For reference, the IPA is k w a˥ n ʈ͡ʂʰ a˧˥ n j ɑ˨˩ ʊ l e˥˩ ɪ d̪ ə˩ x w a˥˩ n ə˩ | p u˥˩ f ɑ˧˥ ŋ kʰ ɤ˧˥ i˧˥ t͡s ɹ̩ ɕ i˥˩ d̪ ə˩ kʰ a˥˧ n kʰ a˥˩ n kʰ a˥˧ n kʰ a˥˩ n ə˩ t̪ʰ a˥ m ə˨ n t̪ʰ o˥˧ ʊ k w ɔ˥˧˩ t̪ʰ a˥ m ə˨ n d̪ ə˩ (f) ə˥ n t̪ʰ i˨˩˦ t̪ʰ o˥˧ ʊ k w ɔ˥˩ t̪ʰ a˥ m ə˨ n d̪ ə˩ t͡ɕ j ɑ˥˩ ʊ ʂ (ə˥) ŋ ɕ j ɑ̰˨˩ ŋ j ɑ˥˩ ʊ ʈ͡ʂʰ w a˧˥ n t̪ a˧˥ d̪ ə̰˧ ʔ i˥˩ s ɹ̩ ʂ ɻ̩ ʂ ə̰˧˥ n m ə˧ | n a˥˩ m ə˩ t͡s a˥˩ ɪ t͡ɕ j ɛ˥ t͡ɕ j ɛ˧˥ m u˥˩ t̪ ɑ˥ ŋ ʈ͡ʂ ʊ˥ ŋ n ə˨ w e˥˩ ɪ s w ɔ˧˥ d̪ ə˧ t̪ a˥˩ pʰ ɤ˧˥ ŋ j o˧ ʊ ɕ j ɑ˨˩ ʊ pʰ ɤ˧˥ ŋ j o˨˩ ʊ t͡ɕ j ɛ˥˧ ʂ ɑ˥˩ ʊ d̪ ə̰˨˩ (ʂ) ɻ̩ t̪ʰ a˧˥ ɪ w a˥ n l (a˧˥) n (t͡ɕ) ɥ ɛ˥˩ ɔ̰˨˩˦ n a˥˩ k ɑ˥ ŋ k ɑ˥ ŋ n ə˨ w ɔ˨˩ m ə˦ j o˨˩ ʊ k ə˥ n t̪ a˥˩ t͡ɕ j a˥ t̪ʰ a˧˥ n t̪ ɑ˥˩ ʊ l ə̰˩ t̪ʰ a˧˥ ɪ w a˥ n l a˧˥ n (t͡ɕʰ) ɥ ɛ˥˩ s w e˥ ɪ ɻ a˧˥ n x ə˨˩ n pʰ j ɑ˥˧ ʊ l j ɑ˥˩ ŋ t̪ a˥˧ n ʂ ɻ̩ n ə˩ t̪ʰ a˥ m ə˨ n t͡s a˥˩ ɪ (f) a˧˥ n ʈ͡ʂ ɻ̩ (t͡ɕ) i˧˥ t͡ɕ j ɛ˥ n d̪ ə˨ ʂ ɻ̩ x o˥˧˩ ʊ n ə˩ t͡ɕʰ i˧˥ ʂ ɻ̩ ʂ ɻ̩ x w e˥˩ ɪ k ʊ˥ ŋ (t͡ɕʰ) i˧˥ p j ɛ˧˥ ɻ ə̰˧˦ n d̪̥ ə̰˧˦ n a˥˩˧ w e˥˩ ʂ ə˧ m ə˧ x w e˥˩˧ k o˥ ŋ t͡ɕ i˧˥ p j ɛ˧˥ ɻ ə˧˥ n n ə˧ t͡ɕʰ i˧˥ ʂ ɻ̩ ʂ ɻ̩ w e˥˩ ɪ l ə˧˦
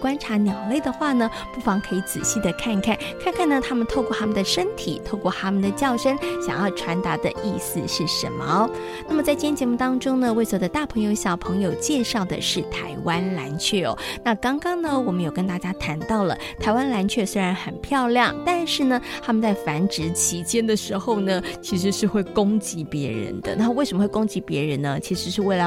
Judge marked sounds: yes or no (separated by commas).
no, yes, yes, yes, no, yes, yes, no, no